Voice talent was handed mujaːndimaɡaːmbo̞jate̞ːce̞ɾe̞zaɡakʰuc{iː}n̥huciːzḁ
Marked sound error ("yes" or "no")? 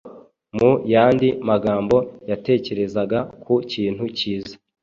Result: no